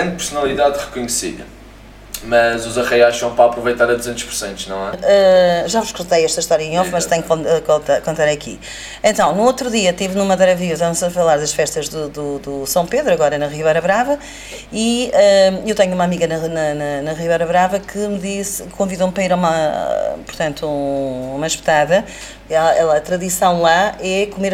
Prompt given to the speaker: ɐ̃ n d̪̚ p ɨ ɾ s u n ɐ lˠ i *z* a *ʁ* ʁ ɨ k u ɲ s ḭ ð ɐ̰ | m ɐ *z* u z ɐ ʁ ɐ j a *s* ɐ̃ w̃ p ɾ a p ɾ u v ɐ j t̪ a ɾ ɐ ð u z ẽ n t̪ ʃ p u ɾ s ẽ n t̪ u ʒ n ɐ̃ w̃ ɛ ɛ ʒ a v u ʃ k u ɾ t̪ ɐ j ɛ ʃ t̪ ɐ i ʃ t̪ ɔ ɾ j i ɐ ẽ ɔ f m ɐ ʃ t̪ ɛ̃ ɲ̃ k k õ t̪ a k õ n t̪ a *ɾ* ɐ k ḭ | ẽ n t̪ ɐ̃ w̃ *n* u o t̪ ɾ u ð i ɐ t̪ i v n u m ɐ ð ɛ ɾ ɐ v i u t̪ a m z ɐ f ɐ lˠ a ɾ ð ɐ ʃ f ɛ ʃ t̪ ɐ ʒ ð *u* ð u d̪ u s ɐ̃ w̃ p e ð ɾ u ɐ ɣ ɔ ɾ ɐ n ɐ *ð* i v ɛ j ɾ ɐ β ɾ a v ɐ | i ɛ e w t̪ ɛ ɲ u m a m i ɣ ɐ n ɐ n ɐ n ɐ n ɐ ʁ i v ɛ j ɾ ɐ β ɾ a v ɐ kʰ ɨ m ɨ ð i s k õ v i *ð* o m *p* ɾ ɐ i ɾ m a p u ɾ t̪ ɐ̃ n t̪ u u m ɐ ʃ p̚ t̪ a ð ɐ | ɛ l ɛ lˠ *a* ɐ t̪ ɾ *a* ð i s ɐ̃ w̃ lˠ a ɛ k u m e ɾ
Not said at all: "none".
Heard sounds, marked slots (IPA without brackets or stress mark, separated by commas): ð, ð, z, ʃ, ɾ, n, u, ʁ, ð, p, ɐ, ɐ